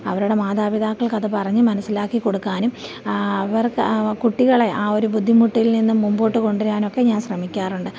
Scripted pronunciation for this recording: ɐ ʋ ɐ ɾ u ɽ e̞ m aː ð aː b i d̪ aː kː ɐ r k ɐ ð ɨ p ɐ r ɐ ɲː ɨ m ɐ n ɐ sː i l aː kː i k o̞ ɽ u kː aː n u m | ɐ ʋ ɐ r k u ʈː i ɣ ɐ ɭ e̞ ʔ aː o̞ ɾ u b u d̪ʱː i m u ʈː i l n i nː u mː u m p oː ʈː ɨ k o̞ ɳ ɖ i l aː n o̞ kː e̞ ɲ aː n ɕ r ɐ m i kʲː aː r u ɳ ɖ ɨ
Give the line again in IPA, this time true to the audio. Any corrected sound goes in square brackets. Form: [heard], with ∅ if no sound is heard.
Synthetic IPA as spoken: ɐ ʋ ɐ ɾ u ɽ e̞ m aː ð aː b i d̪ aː kː ɐ [ɭ] k ɐ ð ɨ p ɐ r ɐ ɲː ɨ m ɐ n ɐ sː i l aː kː i k o̞ ɽ u kː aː n u m | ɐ ʋ ɐ r k u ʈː i ɣ ɐ ɭ e̞ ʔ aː o̞ ɾ u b u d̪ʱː i m u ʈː i l n i nː u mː u m [b] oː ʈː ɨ k o̞ ɳ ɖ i [ɾ] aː n o̞ kː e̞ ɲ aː n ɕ r ɐ m i kʲː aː r u ɳ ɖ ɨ